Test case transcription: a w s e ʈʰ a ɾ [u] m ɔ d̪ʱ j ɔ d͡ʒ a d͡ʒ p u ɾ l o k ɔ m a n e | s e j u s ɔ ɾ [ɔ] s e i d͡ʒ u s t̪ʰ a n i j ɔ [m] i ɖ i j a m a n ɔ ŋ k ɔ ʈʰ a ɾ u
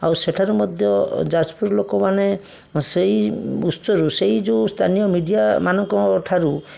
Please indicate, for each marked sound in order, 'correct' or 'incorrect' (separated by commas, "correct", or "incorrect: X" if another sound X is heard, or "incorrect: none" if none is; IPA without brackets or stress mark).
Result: correct, incorrect: u, correct